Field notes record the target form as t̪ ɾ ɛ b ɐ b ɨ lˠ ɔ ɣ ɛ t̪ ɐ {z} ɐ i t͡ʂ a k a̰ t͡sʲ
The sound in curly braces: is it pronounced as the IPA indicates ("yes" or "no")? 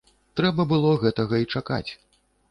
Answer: no